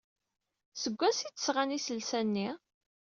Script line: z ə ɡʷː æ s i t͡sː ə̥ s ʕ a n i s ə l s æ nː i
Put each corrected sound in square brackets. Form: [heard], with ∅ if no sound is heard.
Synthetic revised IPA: [s] ə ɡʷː æ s i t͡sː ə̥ s [ʁ] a n i s ə l s æ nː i